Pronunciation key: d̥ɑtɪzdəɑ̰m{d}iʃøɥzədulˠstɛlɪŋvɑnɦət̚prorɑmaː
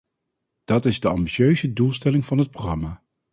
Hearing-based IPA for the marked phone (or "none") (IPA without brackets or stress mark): b